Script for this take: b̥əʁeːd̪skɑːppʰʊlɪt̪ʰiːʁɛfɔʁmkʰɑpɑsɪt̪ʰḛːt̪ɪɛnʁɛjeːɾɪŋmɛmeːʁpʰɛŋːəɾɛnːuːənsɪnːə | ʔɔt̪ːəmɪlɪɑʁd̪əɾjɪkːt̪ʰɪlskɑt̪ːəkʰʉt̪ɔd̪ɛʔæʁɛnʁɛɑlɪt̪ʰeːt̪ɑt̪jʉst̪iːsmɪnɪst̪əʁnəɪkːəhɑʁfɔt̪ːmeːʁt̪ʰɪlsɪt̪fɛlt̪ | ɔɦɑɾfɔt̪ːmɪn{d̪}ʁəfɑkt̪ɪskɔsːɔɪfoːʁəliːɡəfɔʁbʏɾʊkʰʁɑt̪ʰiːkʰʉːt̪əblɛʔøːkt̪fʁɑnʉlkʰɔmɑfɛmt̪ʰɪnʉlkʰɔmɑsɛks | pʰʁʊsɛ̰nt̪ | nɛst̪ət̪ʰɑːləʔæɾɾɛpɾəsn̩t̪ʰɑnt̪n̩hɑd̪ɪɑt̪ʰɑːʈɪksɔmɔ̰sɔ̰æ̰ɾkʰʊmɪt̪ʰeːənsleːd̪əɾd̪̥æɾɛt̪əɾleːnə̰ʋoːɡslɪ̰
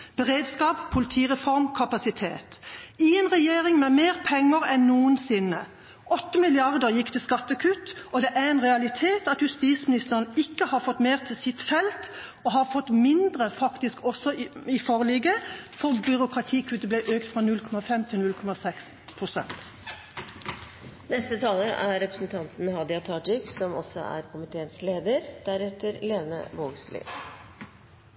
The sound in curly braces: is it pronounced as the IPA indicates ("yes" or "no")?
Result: yes